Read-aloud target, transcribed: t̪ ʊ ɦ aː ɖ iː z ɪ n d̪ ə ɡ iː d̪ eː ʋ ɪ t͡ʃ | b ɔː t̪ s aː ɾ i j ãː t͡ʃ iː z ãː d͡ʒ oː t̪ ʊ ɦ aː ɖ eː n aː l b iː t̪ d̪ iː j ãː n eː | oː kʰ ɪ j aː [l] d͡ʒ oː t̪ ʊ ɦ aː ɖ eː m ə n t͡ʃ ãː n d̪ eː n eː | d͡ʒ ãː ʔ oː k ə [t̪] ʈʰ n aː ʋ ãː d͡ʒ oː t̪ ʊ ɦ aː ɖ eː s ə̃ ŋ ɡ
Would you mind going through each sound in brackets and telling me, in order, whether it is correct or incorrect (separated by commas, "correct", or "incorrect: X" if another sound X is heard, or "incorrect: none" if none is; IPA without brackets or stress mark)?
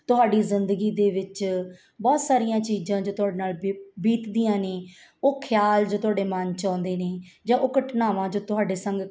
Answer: correct, incorrect: none